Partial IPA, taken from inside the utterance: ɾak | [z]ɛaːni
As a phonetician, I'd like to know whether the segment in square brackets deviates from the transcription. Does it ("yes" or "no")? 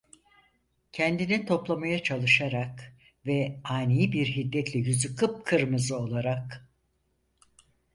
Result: yes